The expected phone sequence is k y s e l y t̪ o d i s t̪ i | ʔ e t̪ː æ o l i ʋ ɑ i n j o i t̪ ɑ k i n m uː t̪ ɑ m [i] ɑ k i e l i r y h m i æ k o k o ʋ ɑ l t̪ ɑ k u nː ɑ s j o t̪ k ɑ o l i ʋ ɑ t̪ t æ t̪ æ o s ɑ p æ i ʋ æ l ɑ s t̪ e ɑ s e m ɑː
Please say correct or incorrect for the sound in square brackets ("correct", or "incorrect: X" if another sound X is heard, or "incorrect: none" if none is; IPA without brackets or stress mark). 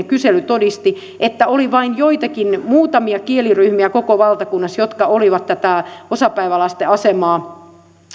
correct